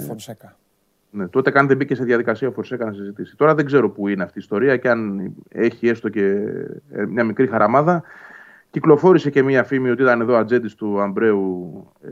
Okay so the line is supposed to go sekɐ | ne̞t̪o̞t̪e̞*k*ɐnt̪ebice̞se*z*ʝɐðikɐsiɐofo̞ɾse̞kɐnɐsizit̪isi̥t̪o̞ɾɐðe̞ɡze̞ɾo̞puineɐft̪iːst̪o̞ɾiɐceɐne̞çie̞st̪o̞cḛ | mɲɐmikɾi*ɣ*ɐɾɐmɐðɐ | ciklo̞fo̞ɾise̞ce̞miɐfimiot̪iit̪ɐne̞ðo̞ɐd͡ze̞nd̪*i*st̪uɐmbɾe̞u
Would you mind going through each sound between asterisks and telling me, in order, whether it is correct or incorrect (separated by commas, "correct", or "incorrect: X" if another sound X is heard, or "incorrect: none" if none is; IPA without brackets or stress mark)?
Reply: correct, incorrect: ð, incorrect: x, correct